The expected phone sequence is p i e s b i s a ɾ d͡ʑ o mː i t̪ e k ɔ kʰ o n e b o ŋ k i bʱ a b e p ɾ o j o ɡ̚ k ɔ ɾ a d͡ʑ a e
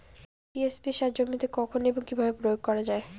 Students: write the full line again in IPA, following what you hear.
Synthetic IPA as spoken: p i e s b i ʃ a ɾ d͡ʑ o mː i t̪ e k ɔ kʰ o n e b o ŋ k i bʱ a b e p ɾ o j o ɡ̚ k ɔ ɾ a d͡ʑ a e